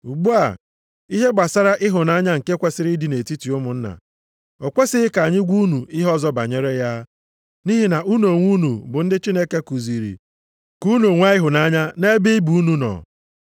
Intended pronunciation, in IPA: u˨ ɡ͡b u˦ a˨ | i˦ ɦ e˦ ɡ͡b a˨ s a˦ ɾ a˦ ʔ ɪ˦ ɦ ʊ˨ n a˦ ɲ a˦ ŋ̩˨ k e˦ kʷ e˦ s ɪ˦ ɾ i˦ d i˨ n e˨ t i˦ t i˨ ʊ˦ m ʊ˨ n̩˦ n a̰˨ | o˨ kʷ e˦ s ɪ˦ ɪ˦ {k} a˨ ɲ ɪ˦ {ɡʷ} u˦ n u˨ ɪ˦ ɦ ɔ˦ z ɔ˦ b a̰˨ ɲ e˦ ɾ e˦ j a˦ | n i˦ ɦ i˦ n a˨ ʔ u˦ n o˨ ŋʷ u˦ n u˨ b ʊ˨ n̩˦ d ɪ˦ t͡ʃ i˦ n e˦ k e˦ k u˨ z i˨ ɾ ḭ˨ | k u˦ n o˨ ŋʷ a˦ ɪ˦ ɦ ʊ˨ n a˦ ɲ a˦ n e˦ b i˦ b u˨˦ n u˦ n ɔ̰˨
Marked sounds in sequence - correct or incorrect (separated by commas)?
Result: correct, correct